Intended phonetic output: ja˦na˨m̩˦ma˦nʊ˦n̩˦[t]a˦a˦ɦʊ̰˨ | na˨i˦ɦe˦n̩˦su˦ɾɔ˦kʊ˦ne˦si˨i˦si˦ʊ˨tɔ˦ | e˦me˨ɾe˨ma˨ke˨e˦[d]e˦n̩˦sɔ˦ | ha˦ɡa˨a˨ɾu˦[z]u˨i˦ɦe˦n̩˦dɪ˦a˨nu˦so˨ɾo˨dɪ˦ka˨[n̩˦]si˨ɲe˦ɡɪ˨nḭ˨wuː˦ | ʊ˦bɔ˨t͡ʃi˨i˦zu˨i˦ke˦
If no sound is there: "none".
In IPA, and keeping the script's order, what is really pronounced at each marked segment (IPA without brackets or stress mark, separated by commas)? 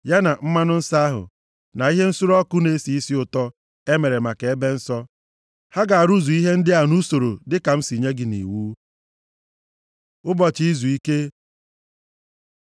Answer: s, b, z, m̩˦